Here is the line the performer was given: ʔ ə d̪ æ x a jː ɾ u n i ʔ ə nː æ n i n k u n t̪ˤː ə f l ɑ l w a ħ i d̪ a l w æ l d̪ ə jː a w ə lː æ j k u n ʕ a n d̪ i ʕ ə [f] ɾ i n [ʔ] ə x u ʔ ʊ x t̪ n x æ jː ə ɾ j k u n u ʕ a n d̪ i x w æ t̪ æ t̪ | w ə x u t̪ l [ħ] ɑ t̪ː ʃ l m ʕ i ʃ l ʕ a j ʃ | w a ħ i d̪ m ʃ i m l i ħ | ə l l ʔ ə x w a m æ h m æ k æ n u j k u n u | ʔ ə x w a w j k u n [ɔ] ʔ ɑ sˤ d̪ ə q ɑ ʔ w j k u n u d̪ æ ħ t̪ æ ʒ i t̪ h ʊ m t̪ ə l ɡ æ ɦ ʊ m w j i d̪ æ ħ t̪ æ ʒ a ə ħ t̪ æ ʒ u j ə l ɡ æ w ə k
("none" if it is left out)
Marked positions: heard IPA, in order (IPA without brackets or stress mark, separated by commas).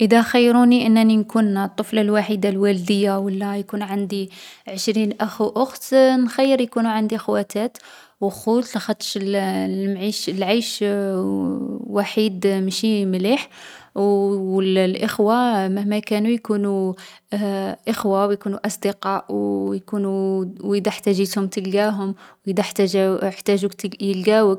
ʃ, ʔ, x, u